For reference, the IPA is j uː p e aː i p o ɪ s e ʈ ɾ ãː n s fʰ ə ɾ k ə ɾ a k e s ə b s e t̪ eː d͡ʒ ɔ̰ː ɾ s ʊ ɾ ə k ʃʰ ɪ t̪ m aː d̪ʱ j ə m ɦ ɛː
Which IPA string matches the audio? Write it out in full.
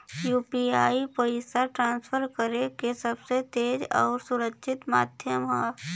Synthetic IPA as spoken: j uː p i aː i p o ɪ s a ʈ ɾ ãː n s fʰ ə ɾ k ə ɾ e k e s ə b s e t̪ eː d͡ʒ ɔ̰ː ɾ s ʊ ɾ ə k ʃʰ ɪ t̪ m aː d̪ʱ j ə m ɦ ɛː